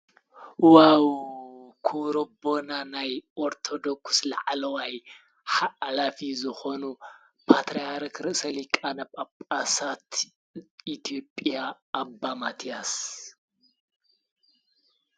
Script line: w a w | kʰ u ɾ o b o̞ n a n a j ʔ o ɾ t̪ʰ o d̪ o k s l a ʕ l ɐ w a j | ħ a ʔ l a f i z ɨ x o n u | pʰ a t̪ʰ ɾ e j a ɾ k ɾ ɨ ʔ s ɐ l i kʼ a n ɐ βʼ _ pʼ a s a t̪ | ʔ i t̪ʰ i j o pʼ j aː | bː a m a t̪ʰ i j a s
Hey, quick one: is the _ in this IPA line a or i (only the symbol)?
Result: a